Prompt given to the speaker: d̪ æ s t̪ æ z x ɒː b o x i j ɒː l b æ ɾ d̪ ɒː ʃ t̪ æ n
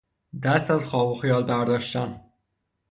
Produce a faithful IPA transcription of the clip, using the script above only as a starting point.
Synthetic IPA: d̪ æ s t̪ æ z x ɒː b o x i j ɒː l b æ ɾ d̪ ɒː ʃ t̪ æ n